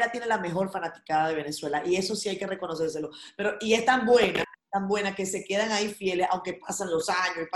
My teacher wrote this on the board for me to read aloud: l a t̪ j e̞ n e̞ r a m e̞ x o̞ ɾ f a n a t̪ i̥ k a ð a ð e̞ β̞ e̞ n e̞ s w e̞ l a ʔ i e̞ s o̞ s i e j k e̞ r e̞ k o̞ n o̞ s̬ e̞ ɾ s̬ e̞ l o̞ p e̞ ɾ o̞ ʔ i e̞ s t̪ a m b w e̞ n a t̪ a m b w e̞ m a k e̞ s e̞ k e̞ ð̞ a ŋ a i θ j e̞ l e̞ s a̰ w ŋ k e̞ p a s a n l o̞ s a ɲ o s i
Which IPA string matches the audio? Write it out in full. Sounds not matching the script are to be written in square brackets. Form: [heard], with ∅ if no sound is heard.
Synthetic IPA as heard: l a t̪ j e̞ n e̞ [l] a m e̞ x o̞ ɾ f a n a t̪ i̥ k a ð a ð e̞ β̞ e̞ n e̞ s w e̞ l a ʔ i e̞ s o̞ s i [a] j k e̞ r e̞ k o̞ n o̞ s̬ e̞ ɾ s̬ e̞ l o̞ p e̞ ɾ o̞ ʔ i e̞ s t̪ a m b w e̞ n a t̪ a m b w e̞ [n] a k e̞ s e̞ k e̞ ð̞ a ŋ a i [f] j e̞ l e̞ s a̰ w ŋ k e̞ p a s a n l o̞ s a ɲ o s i